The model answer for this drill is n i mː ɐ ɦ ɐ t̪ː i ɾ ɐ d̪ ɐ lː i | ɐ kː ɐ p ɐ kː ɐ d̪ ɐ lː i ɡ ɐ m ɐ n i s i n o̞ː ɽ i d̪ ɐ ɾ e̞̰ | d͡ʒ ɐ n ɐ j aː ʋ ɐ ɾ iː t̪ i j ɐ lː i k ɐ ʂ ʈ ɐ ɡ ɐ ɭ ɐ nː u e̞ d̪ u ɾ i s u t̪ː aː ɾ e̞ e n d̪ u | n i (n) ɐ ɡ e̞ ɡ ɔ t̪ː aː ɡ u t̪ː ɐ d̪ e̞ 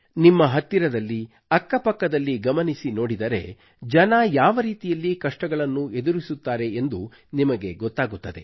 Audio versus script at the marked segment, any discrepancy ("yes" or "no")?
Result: yes